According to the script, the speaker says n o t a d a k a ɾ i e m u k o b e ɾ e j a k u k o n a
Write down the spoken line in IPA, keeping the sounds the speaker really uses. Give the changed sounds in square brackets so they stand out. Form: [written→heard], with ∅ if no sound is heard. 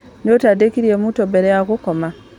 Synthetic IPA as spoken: n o t a d [a→e] k [a→i] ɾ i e m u [k→t] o b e ɾ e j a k u k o [n→m] a